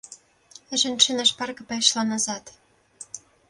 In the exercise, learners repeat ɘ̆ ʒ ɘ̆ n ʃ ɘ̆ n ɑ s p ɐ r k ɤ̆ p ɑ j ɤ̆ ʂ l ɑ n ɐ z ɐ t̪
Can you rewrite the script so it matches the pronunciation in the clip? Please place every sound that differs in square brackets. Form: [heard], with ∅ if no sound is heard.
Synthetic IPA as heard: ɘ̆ ʒ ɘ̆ n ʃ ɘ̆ n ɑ [ʃ] p [ɑ] r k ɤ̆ p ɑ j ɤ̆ [ʃ] l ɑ n [ɑ] z [ɑ] t̪